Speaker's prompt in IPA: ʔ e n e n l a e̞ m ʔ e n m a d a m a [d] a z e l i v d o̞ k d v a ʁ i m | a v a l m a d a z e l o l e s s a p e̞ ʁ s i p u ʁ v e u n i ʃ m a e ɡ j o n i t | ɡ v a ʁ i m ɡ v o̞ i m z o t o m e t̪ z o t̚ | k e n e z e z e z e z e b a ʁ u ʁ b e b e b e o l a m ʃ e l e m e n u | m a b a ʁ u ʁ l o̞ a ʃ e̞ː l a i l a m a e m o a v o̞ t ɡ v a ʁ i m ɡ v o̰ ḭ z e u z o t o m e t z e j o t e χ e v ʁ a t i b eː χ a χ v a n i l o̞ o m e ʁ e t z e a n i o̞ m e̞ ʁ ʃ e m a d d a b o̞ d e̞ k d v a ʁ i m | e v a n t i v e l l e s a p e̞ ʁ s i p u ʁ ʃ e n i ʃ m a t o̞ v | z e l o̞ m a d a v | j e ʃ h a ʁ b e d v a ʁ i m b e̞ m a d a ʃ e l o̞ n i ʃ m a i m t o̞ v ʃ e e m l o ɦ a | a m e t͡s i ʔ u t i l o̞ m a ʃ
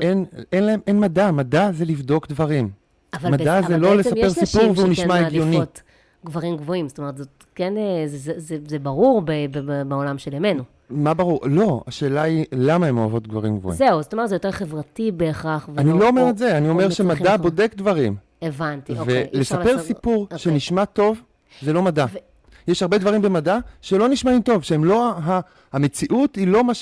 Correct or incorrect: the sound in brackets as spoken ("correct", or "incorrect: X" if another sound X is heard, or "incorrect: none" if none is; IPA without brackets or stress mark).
correct